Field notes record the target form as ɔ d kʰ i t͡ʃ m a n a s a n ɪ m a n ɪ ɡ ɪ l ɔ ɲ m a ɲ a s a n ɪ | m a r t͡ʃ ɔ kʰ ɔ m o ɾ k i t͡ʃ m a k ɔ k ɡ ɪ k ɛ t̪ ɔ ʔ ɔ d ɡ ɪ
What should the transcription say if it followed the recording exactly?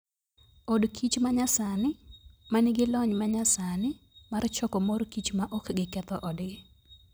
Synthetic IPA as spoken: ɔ d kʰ i t͡ʃ m a ɲ a s a n ɪ m a n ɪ ɡ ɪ l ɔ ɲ m a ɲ a s a n ɪ | m a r t͡ʃ ɔ k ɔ m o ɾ k i t͡ʃ m a ʔ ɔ k ɡ ɪ k ɛ t̪ ɔ ʔ ɔ d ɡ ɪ